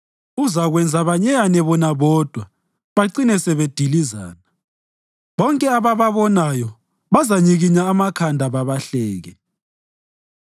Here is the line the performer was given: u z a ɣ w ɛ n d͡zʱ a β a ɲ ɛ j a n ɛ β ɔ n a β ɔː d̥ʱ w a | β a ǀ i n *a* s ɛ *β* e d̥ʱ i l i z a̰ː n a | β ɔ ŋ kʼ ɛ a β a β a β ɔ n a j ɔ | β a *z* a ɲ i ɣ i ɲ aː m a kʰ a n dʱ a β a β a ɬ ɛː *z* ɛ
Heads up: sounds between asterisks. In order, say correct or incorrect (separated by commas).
incorrect, correct, correct, incorrect